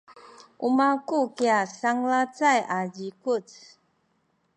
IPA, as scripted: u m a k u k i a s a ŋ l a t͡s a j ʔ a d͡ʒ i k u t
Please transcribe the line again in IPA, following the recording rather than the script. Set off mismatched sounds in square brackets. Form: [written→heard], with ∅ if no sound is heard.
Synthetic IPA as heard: u m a k u k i a s a ŋ l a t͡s a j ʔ a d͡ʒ i k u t